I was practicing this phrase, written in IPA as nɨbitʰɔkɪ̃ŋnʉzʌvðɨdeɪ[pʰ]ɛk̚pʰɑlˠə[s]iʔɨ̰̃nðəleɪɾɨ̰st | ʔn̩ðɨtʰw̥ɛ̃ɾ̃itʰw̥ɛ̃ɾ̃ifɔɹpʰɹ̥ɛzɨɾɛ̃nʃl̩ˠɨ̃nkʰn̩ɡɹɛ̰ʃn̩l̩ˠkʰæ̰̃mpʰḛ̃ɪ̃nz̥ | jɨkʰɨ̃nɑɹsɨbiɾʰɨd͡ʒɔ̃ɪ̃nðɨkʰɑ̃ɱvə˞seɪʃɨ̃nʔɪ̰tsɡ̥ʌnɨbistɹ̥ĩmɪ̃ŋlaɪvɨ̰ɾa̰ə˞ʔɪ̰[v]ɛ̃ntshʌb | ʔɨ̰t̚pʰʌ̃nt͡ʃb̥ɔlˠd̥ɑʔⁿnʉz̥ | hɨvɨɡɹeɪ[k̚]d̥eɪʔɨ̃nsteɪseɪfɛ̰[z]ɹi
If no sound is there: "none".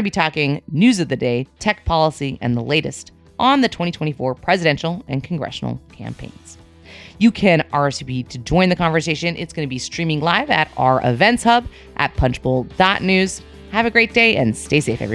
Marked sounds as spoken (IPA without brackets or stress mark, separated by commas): tʰ, s, v, t̚, v